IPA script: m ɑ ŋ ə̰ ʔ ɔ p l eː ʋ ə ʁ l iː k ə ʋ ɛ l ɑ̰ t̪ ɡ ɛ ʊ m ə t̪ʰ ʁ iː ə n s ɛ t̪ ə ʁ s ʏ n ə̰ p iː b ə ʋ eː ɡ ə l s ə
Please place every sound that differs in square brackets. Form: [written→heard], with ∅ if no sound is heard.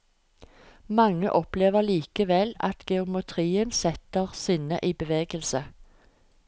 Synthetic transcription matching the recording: m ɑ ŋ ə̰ ʔ ɔ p l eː ʋ ə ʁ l iː k ə ʋ ɛ l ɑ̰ t̪ ɡ ɛ ʊ m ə t̪ʰ ʁ iː ə n s ɛ t̪ ə ʁ s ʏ n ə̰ [p→ʔ] iː b ə ʋ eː ɡ ə l s ə